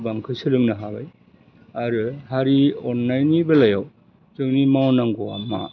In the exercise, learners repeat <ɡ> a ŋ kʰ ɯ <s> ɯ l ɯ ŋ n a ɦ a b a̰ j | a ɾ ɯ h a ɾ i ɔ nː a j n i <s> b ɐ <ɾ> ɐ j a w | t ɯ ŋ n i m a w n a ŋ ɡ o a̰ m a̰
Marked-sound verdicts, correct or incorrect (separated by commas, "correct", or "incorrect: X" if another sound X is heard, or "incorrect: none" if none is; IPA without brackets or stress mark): incorrect: b, correct, incorrect: none, incorrect: l